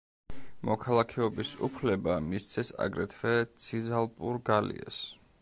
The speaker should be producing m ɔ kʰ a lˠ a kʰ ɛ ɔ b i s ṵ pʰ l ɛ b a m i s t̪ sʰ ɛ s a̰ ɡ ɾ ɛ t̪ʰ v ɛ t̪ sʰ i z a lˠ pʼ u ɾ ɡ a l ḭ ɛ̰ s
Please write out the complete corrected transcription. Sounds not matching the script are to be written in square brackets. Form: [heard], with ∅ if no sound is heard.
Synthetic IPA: m ɔ kʰ a lˠ a kʰ ɛ ɔ b i s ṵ pʰ l ɛ b a m i s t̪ sʰ ɛ s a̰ ɡ ɾ ɛ t̪ʰ v ɛ t̪ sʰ i z a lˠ pʼ u ɾ ɡ a l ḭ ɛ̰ s